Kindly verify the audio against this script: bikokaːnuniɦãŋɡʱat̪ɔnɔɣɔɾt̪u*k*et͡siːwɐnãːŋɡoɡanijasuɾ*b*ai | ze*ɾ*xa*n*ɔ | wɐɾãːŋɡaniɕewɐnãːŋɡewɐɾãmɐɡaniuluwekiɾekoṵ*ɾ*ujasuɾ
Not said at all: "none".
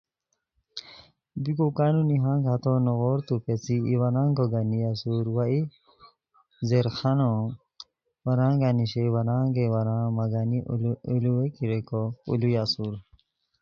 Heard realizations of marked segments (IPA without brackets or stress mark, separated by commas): p, w, ɾ, n, l